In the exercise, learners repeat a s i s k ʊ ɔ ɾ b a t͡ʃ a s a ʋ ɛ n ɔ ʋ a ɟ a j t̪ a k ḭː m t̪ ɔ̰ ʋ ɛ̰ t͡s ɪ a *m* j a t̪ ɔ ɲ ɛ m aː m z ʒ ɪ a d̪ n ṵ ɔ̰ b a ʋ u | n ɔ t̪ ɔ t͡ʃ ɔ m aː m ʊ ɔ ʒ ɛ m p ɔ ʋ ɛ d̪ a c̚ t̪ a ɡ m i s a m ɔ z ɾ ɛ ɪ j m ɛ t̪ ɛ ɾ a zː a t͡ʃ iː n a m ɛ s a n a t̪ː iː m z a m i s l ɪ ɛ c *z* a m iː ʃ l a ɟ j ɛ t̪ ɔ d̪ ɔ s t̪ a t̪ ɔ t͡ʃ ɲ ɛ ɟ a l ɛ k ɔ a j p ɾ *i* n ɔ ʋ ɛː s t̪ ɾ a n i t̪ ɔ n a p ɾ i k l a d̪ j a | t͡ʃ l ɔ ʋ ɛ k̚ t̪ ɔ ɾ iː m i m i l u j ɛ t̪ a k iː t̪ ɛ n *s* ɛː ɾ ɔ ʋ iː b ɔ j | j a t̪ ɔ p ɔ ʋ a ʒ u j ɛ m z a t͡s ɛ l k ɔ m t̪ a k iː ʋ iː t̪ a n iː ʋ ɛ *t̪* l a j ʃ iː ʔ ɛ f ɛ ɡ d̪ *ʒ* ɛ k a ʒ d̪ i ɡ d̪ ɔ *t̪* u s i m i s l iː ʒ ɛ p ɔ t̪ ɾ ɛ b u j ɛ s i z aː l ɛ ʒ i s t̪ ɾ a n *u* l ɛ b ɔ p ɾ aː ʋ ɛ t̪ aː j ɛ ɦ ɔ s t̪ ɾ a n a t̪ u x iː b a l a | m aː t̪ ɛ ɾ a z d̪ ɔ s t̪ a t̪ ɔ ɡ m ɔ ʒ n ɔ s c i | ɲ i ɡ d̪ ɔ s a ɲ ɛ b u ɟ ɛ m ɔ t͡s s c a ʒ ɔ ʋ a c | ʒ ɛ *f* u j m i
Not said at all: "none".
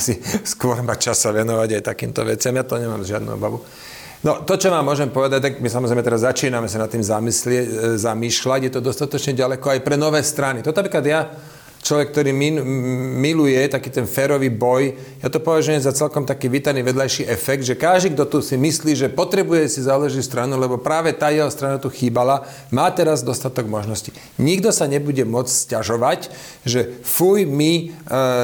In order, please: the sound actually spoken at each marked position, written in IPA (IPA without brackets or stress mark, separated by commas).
m, z, ɛ, f, d̪, ʒ, t̪, u, f